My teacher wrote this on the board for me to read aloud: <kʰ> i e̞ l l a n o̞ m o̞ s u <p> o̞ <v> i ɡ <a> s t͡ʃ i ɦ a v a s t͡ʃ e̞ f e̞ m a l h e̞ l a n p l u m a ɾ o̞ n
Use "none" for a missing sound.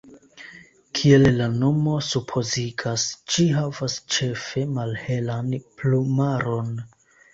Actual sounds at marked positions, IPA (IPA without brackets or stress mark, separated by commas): kʰ, pʰ, z, a